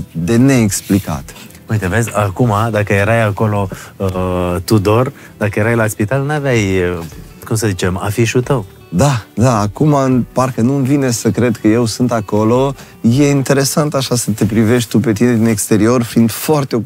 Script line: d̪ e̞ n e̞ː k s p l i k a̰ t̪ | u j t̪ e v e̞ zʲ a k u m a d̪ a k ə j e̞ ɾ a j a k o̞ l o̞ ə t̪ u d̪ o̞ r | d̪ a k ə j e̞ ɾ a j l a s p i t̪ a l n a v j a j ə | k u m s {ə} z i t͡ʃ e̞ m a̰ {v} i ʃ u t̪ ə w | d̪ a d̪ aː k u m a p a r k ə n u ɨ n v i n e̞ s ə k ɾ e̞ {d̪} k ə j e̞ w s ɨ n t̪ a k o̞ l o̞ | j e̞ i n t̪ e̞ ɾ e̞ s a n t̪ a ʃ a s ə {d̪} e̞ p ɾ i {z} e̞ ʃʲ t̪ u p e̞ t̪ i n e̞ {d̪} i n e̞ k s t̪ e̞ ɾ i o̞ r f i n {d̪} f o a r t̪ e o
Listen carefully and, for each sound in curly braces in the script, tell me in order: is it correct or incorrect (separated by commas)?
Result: correct, incorrect, correct, incorrect, incorrect, correct, correct